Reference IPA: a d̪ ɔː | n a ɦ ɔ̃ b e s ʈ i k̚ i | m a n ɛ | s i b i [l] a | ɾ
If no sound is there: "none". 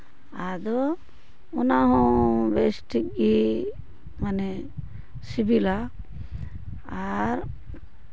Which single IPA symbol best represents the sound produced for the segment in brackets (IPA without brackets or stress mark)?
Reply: l